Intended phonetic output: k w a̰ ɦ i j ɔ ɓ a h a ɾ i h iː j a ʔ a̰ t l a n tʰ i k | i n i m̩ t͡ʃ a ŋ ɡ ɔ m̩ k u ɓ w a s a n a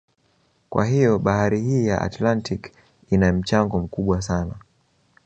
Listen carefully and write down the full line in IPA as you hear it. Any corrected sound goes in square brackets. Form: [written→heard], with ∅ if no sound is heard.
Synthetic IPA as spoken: k w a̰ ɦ i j ɔ ɓ a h a ɾ i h iː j a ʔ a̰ t l a n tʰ i k | i n [i→a] m̩ t͡ʃ a ŋ ɡ ɔ m̩ k u ɓ w a s a n a